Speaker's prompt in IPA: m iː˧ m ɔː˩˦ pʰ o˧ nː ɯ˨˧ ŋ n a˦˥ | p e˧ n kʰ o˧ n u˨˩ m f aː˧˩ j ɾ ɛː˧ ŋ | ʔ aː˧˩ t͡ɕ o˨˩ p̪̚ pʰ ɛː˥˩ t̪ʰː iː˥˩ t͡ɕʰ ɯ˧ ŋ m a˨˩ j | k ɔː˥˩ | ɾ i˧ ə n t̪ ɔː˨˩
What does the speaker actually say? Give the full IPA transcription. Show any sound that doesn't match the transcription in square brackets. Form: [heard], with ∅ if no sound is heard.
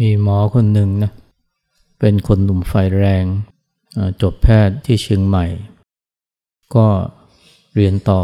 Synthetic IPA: m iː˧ m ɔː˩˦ [kʰ] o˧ nː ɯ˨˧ ŋ n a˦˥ | p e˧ n kʰ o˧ [nː] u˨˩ m f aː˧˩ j ɾ ɛː˧ ŋ | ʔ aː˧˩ t͡ɕ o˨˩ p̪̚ pʰ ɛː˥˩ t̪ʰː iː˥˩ t͡ɕʰ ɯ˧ ŋ m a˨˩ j | k ɔː˥˩ | ɾ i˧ ə n t̪ ɔː˨˩